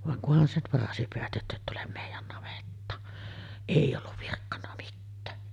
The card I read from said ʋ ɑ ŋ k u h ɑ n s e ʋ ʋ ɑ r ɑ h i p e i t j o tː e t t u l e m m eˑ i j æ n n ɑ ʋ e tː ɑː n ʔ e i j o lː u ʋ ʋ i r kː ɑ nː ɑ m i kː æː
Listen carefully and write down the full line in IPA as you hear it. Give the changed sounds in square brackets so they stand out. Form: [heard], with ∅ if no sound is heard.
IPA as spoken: ʋ ɑ ŋ k u h ɑ n s e ʋ ʋ ɑ r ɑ [s] i p e [æ] t j o tː e t t u l e m m eˑ i j æ n n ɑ ʋ e tː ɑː n ʔ e i j o lː u ʋ ʋ i r kː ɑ nː ɑ m i [tː] æː